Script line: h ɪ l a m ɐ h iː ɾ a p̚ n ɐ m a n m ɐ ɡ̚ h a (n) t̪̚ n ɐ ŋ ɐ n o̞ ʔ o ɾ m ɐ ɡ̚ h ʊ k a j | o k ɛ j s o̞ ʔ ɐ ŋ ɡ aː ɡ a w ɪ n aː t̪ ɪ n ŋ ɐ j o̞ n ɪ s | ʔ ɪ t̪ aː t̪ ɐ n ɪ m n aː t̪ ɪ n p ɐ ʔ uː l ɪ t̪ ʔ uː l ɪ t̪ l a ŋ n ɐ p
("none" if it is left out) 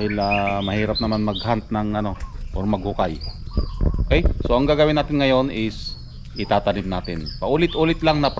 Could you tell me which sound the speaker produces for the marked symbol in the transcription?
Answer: n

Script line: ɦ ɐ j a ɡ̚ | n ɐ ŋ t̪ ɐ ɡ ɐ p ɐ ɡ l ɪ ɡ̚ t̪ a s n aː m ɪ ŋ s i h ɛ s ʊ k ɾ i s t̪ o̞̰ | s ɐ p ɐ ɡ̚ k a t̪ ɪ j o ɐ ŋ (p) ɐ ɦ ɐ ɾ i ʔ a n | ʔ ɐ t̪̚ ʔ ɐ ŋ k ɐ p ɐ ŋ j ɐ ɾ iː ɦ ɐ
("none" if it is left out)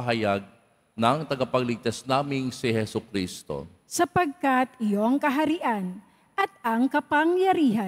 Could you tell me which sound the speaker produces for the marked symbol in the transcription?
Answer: k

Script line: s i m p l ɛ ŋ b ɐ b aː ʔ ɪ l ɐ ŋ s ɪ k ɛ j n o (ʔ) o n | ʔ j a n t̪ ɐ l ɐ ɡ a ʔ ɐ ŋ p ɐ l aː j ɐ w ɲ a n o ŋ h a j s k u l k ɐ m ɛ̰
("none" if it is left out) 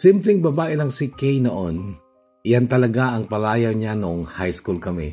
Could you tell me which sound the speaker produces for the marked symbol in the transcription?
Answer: ʔ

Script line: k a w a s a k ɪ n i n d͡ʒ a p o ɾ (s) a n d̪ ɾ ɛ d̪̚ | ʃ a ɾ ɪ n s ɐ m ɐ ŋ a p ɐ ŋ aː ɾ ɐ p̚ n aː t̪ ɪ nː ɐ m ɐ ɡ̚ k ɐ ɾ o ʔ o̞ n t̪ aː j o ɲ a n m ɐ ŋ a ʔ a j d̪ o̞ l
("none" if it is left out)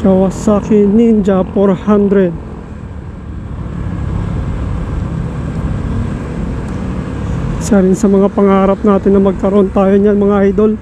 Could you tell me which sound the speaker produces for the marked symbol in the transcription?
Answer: h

